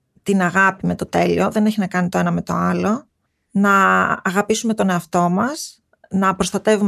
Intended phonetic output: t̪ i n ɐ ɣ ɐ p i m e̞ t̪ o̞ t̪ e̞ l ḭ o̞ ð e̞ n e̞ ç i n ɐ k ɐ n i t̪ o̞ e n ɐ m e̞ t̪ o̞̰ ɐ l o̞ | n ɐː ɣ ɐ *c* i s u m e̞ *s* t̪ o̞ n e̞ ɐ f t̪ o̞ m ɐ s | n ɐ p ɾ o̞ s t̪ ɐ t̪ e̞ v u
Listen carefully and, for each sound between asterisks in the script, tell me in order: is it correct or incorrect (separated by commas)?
incorrect, incorrect